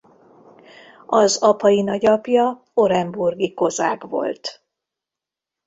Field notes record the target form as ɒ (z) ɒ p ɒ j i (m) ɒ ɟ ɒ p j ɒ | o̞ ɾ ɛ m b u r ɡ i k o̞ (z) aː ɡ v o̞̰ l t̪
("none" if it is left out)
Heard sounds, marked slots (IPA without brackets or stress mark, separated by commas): z, n, z